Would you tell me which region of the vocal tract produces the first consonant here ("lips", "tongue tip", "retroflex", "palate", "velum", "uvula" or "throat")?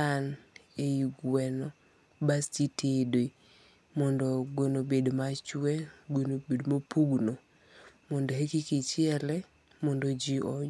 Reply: tongue tip